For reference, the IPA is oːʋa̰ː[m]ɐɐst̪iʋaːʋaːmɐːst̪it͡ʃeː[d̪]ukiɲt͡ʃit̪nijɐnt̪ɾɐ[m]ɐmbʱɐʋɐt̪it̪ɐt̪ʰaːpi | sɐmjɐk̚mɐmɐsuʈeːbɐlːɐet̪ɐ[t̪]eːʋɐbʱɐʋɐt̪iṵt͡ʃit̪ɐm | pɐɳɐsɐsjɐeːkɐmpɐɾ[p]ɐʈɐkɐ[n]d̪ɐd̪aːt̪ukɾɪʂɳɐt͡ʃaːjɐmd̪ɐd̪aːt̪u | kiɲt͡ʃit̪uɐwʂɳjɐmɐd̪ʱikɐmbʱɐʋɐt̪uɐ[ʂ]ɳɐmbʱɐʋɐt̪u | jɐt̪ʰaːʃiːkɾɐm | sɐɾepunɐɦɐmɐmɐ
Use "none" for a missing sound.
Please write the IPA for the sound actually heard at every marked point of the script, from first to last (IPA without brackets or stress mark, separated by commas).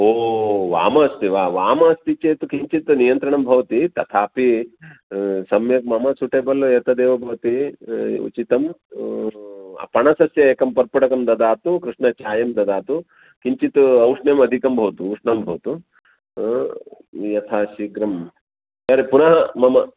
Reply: m, t̪, ɳ, d̪, p, m, ʂ